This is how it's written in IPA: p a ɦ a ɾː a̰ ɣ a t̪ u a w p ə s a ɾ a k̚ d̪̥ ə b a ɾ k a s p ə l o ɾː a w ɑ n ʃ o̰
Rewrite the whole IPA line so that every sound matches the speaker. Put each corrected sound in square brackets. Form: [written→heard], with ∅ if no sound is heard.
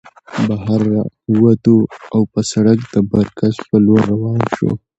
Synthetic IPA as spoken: [p→b] a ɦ a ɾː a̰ [ɣ→w] a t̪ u a w p ə s a [ɾ→ɽ] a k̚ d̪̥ ə b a ɾ k a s p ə l o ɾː a w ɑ n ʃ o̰

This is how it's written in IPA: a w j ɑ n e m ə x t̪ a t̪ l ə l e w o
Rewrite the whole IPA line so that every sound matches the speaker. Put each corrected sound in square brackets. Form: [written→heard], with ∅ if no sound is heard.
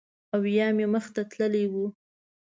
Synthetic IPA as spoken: a w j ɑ [n→m] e m ə x t̪ a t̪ l ə l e w [o→u]

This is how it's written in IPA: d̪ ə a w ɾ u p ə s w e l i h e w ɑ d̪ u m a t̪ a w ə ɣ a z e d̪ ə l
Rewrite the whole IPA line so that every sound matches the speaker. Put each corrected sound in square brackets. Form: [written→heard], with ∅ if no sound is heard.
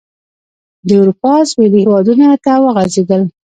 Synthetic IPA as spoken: d̪ ə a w ɾ u p [ə→ɑ] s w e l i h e w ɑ d̪ u [m→n] a t̪ a w ə ɣ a z e d̪ ə l

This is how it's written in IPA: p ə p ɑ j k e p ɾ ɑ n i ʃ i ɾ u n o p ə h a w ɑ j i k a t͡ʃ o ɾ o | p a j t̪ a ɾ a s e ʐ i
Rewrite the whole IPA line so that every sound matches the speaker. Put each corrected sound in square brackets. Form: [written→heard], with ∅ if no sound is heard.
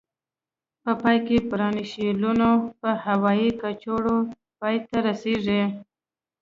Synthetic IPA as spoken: p ə p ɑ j k e p ɾ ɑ n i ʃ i [ɾ→l] u n o p ə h a w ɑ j i k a t͡ʃ o [ɾ→ɽ] o | p [a→ɑ] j t̪ a ɾ a s e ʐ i

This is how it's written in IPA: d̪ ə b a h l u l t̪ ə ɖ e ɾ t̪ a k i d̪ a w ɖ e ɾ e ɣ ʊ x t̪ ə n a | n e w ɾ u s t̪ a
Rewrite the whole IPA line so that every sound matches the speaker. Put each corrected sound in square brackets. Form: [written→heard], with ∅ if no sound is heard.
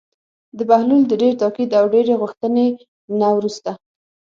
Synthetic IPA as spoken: d̪ ə b a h l u l [t̪→d̪] ə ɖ e ɾ t̪ [a→ɑ] k i d̪ a w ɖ e ɾ e ɣ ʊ x t̪ ə n [a→e] | n [e→a] w ɾ u s t̪ a

